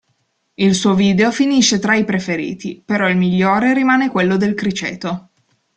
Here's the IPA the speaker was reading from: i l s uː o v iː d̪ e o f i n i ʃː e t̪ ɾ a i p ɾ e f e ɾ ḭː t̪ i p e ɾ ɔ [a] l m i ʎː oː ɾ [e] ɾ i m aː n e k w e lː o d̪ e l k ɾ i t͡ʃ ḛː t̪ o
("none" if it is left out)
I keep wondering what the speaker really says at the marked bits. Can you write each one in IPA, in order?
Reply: i, e

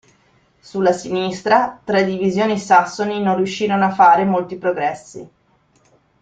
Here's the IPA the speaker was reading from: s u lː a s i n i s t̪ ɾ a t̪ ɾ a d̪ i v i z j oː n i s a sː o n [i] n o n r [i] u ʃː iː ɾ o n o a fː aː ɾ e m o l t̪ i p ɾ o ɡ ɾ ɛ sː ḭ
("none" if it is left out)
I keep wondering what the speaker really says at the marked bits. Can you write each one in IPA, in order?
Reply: i, j

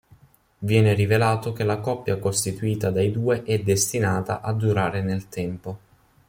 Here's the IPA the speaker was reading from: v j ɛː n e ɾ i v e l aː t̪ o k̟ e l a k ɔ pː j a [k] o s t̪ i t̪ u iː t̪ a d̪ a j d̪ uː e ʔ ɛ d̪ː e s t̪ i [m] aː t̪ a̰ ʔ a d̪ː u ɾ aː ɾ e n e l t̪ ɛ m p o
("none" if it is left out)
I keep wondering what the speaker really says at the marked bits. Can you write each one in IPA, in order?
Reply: k, n

